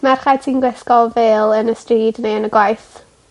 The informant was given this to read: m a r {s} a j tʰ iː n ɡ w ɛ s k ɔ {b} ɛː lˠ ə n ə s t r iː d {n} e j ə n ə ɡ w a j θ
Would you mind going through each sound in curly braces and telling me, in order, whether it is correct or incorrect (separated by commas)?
incorrect, incorrect, correct